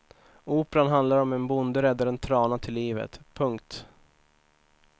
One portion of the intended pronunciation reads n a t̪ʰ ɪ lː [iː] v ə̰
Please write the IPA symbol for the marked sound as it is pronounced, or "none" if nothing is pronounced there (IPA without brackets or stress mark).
iː